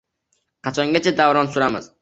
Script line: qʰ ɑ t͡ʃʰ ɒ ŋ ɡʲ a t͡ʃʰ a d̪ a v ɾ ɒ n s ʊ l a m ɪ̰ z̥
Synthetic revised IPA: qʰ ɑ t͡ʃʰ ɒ ŋ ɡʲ a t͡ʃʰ a d̪ a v ɾ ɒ n s ʊ ɾ a m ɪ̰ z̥